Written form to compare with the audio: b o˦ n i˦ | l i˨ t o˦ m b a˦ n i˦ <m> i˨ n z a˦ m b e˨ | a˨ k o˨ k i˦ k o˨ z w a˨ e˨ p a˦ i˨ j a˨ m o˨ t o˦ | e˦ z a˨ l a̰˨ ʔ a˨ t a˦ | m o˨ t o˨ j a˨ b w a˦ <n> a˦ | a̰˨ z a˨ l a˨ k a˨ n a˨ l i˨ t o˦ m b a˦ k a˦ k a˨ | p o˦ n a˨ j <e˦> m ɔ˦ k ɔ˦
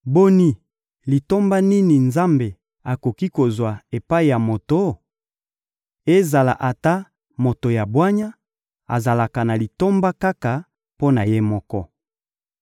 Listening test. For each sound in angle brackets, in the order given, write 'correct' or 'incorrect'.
incorrect: n, incorrect: ɲ, correct

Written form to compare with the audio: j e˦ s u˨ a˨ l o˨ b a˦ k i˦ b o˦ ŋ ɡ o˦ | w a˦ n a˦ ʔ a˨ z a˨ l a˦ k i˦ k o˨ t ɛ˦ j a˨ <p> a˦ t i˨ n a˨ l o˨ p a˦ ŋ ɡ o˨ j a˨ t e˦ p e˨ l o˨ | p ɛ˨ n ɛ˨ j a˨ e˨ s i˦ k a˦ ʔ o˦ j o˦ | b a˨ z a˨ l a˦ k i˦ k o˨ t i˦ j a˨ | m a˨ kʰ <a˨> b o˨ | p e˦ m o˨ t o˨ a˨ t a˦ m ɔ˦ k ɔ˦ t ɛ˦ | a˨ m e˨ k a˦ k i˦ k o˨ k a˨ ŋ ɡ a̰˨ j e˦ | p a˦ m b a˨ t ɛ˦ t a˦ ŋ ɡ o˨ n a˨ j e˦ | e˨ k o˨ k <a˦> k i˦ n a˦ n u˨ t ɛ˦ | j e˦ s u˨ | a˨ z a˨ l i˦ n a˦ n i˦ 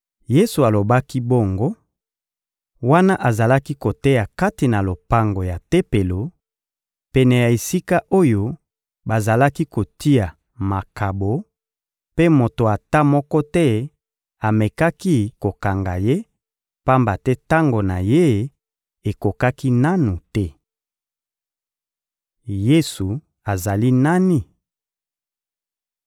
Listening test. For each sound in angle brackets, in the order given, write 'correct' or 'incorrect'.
incorrect: k, correct, correct

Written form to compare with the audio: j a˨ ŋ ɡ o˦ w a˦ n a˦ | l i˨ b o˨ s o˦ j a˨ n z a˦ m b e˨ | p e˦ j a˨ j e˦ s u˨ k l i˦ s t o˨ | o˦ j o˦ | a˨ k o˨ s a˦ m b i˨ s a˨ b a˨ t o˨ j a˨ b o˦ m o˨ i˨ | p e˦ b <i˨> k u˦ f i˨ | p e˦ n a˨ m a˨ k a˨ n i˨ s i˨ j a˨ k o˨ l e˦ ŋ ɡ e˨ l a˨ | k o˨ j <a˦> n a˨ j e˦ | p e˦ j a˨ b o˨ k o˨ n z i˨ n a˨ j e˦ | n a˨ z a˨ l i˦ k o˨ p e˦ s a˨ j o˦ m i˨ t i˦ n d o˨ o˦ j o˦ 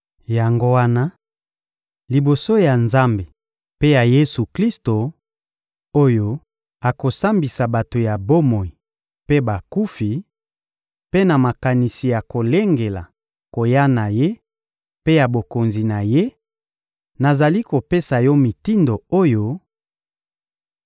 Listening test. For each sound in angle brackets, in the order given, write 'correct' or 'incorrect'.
incorrect: a˨, correct

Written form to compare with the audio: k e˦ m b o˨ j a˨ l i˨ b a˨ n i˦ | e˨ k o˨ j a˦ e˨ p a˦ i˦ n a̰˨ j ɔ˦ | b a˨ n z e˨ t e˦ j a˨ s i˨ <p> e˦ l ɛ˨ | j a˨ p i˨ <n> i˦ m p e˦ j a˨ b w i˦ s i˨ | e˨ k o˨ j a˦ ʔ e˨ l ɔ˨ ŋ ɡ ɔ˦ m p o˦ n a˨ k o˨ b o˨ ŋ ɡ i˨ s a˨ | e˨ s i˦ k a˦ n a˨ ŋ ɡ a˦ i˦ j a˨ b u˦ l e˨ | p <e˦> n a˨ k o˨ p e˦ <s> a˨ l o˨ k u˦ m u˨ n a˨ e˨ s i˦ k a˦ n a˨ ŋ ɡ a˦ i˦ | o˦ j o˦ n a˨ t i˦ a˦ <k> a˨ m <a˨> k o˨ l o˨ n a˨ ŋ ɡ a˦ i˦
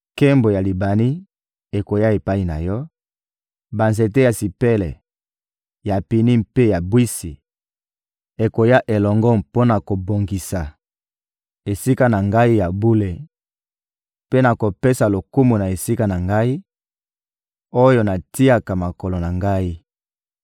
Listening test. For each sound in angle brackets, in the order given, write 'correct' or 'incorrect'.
correct, correct, correct, correct, correct, correct

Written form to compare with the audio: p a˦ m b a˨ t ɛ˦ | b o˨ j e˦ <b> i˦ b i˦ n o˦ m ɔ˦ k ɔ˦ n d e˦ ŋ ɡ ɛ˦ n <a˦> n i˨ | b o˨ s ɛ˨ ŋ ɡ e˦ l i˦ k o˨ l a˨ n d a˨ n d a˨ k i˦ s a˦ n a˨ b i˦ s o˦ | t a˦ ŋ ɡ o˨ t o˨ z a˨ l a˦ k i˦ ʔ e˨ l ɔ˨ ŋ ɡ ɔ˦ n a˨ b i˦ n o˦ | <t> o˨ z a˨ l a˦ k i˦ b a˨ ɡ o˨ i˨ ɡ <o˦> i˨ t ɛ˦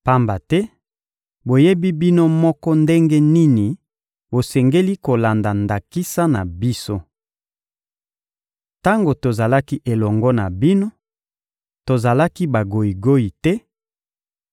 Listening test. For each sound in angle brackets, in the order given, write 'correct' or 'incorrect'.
correct, incorrect: i˦, correct, correct

